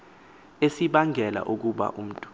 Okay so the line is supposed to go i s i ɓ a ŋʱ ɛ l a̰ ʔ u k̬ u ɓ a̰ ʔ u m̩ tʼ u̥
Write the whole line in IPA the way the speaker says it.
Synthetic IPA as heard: e s i ɓ a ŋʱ ɛ l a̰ ʔ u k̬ u ɓ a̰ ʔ u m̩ tʼ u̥